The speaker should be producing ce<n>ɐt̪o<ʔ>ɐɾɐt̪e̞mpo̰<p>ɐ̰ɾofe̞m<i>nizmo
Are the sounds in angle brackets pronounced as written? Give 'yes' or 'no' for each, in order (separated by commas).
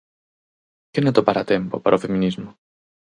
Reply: yes, no, yes, yes